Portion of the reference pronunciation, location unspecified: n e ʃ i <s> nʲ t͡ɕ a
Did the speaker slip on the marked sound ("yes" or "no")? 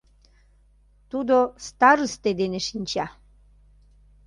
yes